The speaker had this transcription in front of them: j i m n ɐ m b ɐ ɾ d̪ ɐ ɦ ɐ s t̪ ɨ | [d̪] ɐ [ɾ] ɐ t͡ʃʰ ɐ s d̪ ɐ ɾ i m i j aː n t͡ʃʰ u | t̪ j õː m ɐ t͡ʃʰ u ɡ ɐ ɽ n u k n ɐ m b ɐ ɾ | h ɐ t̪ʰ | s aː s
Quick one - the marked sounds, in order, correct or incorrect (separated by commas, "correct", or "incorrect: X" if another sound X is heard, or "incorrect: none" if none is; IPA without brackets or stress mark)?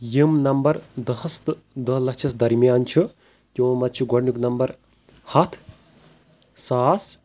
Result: correct, incorrect: l